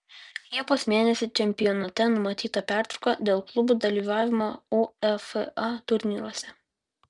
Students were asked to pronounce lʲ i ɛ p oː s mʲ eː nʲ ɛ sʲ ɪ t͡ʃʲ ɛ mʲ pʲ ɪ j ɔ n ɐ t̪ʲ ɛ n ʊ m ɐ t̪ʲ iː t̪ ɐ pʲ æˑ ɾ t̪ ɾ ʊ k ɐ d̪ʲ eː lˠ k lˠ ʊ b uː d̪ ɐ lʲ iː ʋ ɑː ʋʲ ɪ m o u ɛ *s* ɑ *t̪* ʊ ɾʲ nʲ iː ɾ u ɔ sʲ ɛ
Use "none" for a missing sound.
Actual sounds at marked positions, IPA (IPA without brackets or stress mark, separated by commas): f, t̪